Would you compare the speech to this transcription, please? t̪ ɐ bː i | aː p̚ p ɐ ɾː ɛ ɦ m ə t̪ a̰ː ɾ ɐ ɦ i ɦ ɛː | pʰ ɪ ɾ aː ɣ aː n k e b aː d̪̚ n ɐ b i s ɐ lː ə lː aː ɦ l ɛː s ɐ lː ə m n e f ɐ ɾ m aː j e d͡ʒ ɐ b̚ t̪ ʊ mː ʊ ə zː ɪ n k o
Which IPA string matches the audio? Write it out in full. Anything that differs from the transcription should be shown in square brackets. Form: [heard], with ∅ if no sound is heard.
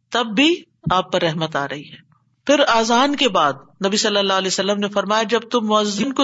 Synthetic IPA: t̪ ɐ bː i | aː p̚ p ɐ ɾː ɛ ɦ m ə t̪ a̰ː ɾ ɐ ɦ i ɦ ɛː | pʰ ɪ ɾ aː [z] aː n k e b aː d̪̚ n ɐ b i s ɐ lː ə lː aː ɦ l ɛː s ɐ lː ə m n e f ɐ ɾ m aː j [a] d͡ʒ ɐ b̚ t̪ ʊ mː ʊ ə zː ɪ n k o